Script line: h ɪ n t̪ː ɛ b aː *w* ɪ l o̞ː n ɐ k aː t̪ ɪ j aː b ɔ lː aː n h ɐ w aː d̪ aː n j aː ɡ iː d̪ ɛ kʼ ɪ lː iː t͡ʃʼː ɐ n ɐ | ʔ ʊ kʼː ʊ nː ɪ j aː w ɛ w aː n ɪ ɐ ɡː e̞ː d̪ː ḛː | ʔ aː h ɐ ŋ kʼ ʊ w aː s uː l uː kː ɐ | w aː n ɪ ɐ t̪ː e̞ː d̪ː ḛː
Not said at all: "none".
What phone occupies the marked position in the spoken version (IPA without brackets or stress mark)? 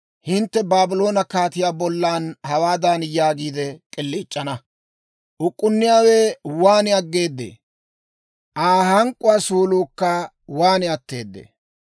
b